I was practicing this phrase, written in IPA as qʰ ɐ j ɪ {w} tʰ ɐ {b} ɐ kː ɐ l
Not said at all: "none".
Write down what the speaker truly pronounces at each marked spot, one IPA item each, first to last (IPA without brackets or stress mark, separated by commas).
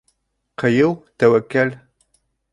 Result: w, w